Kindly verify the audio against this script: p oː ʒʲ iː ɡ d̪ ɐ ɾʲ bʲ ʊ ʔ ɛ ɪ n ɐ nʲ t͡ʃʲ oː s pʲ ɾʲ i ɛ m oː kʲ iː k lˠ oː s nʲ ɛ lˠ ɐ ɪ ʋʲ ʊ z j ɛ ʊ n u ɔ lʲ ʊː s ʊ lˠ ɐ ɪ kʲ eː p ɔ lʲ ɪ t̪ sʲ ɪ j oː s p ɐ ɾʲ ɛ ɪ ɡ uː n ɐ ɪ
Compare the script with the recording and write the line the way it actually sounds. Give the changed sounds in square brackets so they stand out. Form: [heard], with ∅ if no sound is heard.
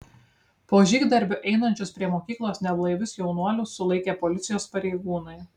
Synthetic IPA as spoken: p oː ʒʲ iː ɡ d̪ ɐ ɾʲ bʲ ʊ ʔ ɛ ɪ n ɐ nʲ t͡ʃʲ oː s pʲ ɾʲ i ɛ m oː kʲ iː k lˠ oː s nʲ ɛ lˠ ɐ ɪ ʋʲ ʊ [s] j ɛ ʊ n u ɔ lʲ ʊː s ʊ lˠ ɐ ɪ kʲ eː p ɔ lʲ ɪ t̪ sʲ ɪ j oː s p ɐ ɾʲ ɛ ɪ ɡ uː n ɐ ɪ